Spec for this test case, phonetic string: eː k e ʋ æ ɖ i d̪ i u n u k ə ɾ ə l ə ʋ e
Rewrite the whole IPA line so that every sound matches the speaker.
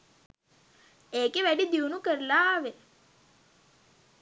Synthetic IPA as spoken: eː k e ʋ æ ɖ i d̪ i u n u k ə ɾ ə l a ʋ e